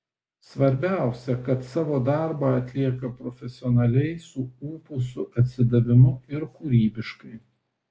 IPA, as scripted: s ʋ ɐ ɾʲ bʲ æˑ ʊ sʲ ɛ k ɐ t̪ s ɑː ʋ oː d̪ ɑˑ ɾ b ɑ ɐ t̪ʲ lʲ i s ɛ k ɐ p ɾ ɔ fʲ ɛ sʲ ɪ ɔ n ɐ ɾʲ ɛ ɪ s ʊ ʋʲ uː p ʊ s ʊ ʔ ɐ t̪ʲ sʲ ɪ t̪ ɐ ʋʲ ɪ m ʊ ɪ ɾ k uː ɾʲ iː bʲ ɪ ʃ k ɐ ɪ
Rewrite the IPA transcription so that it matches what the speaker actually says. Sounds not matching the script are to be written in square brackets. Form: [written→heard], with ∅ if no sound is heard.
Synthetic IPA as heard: s ʋ ɐ ɾʲ bʲ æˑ ʊ sʲ ɛ k ɐ t̪ s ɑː ʋ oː d̪ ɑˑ ɾ b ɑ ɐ t̪ʲ lʲ i [s→∅] ɛ k ɐ p ɾ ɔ fʲ ɛ sʲ ɪ ɔ n ɐ [ɾʲ→lʲ] ɛ ɪ s ʊ [ʋʲ→∅] uː p ʊ s ʊ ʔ ɐ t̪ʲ sʲ ɪ [t̪→d̪] ɐ ʋʲ ɪ m ʊ ɪ ɾ k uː ɾʲ iː bʲ ɪ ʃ k ɐ ɪ